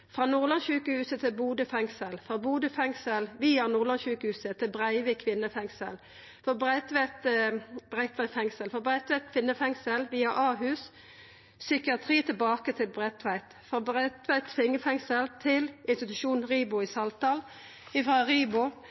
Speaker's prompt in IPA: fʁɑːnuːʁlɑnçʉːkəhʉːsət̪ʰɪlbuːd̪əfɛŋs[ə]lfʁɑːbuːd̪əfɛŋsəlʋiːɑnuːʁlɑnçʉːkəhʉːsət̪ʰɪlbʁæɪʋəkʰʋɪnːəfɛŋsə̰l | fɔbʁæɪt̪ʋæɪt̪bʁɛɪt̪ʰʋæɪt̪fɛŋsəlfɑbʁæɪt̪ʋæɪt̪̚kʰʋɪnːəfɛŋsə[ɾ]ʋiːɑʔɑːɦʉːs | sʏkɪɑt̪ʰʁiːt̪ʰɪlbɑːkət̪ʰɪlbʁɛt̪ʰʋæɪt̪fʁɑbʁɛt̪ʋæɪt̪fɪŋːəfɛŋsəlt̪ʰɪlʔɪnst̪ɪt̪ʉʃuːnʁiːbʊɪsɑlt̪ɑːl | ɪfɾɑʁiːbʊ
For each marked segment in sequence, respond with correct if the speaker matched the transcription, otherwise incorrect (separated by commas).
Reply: correct, incorrect